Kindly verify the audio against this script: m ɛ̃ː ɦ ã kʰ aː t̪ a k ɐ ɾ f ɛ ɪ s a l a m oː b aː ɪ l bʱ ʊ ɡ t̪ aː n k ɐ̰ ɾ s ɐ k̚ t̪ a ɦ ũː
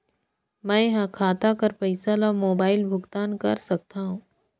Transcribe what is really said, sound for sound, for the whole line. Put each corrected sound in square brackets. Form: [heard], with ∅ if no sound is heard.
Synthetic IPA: m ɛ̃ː ɦ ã kʰ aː t̪ a k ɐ ɾ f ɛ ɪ s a l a m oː b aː ɪ l bʱ ʊ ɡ t̪ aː n k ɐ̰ ɾ s ɐ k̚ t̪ a ɦ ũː